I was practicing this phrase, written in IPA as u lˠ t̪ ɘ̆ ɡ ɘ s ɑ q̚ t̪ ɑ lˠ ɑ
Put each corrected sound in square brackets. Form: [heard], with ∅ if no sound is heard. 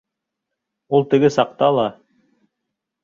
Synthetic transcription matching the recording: u lˠ t̪ ɘ̆ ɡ ɘ s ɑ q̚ t̪ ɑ lˠ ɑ